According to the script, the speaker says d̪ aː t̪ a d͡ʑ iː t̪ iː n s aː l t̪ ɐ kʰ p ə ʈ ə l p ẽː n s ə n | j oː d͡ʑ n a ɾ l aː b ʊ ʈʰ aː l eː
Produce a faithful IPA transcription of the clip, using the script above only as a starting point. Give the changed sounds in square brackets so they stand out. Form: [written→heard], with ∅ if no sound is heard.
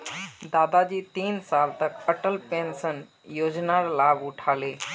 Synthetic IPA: d̪ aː [t̪→d̪] a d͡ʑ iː t̪ iː n s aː l t̪ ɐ [kʰ→k] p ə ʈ ə l p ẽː n s ə n | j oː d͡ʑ n a ɾ l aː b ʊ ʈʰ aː l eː